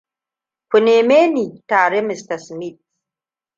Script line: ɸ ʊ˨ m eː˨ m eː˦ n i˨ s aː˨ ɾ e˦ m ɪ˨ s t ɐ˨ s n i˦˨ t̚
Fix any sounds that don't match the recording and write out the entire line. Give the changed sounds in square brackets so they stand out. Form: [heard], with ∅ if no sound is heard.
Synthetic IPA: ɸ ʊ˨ [n] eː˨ m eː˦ n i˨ [t] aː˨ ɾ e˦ m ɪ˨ s t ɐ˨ s [m] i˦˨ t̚

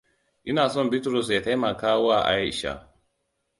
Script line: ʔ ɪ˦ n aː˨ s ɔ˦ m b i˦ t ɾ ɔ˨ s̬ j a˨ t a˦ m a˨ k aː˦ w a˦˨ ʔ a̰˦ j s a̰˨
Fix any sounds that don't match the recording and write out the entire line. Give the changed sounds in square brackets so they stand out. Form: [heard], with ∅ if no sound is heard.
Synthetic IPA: ʔ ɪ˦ n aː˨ s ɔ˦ m b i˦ t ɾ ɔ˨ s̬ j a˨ t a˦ m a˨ k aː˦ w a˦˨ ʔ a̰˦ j [ʃ] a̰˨

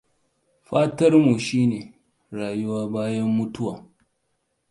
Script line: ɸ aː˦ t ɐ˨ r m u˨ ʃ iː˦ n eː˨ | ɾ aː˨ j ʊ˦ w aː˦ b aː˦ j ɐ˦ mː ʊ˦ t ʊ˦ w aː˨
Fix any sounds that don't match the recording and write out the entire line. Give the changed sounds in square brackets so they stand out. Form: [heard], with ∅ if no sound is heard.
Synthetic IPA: ɸ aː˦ t [ɐ˦] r m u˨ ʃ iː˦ n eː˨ | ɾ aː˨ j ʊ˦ w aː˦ b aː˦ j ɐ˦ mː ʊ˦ t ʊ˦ w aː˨

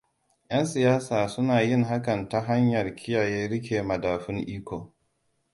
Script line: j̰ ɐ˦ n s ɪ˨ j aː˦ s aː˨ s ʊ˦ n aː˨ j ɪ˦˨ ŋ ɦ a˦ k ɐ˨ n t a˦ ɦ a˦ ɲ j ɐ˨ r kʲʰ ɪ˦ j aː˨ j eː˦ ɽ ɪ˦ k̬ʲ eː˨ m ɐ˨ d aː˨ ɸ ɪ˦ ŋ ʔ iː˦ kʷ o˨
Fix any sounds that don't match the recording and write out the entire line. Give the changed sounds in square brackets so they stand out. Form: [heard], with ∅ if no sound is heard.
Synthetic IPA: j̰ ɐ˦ n s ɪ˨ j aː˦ s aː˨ s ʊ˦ n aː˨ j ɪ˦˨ ŋ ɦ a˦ k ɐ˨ n t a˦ ɦ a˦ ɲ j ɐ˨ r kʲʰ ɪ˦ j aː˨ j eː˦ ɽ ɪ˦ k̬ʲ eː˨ m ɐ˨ d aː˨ ɸ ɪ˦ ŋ ʔ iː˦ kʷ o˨

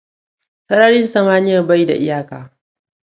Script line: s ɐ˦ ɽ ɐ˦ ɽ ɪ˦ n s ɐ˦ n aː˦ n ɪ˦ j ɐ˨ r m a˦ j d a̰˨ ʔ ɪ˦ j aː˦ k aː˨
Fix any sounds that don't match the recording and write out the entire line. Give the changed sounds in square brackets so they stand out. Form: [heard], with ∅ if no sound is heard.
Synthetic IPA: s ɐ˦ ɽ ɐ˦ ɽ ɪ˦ n s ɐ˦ [m] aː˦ n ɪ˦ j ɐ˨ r [b] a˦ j d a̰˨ ʔ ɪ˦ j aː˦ k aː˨

